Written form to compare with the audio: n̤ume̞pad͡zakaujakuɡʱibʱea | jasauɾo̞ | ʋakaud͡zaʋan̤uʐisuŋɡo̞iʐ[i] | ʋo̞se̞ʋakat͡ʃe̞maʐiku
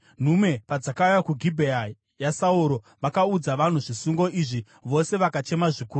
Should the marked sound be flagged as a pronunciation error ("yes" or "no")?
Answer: no